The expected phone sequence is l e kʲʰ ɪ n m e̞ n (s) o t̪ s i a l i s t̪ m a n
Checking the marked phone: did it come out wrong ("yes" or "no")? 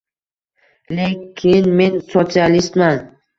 no